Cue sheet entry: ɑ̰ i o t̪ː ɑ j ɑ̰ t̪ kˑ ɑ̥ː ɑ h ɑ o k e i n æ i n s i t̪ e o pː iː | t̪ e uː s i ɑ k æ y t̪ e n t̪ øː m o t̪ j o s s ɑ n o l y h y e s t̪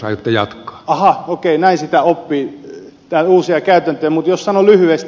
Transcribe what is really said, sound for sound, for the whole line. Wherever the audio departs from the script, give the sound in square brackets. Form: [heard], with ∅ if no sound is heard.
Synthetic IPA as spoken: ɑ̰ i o t̪ː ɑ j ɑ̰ t̪ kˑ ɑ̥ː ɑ h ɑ o k e i n æ i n s i t̪ [æ] o pː iː | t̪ [æ] uː s i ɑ k æ y t̪ [æ] n t̪ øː m [u] t̪ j o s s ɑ n o l y h y e s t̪